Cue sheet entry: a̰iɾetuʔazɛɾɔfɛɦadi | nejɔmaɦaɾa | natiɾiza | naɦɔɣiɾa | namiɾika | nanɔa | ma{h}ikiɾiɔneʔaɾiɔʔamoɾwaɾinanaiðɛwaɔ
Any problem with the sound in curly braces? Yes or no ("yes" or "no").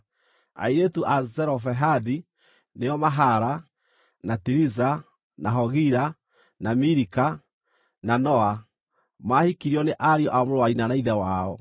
no